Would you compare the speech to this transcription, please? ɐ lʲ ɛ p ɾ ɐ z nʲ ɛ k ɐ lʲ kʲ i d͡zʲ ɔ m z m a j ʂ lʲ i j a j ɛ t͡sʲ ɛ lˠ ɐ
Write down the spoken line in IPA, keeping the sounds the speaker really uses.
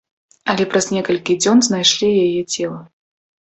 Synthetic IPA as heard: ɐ lʲ ɛ p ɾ ɐ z nʲ ɛ k ɐ lʲ kʲ i d͡zʲ ɔ n z n a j ʂ lʲ i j a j ɛ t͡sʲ ɛ lˠ ɐ